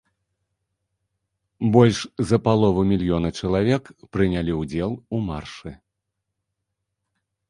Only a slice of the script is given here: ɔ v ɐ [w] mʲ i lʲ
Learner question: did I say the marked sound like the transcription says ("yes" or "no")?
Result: no